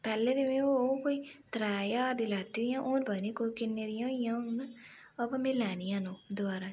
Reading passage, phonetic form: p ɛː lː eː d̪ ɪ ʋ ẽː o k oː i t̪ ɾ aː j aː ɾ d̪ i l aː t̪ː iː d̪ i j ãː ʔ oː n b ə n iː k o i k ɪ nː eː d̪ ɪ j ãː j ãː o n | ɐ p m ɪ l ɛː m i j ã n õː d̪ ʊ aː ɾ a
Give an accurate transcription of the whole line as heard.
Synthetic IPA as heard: p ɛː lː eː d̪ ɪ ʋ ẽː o k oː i t̪ ɾ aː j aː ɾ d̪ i l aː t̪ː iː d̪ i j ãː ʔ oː n b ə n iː k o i k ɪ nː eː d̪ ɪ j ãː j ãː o n | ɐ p m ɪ l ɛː n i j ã n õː d̪ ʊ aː ɾ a